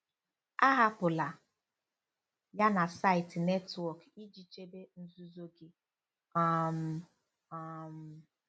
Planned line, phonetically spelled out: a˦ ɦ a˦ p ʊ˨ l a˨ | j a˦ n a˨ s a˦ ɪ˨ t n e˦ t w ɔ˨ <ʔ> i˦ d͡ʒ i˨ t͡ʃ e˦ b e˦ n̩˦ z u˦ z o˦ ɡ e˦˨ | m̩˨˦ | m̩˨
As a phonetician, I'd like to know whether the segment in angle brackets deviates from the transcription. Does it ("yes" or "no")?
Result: yes